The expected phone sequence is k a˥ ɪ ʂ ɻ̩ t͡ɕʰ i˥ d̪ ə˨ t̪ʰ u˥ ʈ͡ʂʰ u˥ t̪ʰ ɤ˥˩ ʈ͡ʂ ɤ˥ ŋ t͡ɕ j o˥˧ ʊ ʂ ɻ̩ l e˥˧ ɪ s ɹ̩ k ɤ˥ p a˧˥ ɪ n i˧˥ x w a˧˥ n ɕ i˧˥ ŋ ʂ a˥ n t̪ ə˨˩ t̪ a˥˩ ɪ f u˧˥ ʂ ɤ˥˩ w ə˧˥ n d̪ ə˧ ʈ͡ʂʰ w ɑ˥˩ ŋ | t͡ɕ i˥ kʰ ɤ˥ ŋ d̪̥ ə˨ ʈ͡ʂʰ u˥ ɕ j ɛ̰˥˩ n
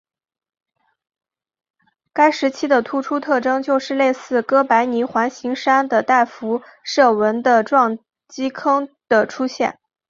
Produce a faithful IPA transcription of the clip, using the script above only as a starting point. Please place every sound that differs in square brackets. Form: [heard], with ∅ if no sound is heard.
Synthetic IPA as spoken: k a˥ ɪ ʂ ɻ̩ t͡ɕʰ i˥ d̪ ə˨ t̪ʰ u˥ ʈ͡ʂʰ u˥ t̪ʰ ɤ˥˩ ʈ͡ʂ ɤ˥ ŋ t͡ɕ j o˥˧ ʊ ʂ ɻ̩ l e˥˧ ɪ s ɹ̩ k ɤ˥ p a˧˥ ɪ n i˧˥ x w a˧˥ n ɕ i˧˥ ŋ ʂ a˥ n [d̪] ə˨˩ t̪ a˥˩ ɪ f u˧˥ ʂ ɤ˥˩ w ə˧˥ n d̪ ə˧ [ʈ͡ʂ] w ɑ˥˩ ŋ | t͡ɕ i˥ kʰ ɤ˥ ŋ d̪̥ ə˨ ʈ͡ʂʰ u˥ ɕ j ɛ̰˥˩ n